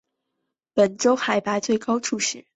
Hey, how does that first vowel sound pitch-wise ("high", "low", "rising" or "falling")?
low